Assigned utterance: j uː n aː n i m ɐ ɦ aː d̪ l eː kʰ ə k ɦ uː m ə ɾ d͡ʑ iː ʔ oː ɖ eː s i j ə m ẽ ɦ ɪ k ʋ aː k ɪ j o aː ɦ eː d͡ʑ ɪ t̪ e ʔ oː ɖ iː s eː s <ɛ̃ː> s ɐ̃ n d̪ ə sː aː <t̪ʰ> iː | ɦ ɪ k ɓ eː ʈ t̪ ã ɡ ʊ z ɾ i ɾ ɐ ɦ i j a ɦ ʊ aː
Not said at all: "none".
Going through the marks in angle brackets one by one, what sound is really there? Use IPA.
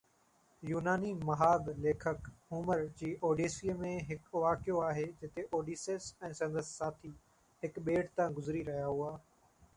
ɛ̃ː, t̪ʰ

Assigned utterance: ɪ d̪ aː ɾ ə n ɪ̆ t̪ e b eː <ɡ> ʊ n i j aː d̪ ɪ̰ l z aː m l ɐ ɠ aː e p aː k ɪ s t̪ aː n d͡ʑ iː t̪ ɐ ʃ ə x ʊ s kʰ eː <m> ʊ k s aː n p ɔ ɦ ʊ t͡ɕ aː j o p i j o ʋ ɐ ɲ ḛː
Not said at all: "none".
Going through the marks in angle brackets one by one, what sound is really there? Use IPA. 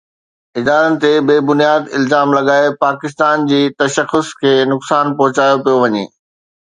b, n

